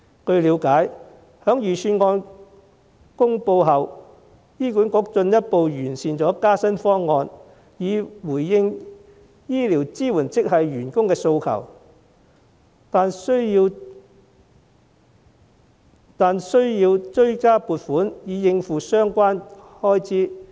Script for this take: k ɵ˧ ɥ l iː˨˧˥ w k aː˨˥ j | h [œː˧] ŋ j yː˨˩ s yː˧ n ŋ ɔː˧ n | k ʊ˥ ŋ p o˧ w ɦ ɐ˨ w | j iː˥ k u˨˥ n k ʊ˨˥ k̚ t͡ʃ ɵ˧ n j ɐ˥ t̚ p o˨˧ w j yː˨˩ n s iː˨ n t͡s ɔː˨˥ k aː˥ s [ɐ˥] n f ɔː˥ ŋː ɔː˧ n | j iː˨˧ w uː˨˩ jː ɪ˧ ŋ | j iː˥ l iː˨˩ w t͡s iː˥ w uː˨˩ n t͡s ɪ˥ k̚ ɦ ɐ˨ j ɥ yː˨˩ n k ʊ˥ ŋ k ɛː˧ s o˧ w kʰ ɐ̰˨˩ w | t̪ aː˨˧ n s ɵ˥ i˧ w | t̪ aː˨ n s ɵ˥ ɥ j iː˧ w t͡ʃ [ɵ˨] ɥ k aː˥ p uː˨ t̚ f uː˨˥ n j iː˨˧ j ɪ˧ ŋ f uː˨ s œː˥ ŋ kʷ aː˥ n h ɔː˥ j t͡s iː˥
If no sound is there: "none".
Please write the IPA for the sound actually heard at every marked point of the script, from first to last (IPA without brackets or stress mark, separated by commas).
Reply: œː˨˥, ɐ˥, ɵ˥